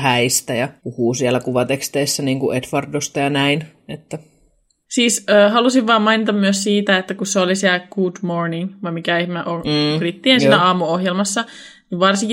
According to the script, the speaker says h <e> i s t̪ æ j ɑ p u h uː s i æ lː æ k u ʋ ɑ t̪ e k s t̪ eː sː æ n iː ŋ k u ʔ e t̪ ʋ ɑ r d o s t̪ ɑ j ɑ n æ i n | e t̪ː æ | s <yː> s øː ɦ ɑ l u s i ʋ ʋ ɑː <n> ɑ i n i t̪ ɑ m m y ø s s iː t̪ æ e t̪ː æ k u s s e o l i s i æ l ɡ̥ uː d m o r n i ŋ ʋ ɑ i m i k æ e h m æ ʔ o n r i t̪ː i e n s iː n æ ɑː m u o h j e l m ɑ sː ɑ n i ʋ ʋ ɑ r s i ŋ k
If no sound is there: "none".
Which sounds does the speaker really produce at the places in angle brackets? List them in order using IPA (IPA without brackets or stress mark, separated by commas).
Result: æ, iː, m